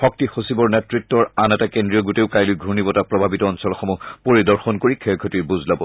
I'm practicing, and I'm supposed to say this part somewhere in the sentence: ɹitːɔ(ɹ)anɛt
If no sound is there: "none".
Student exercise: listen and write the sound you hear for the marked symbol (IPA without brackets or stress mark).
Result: ɹ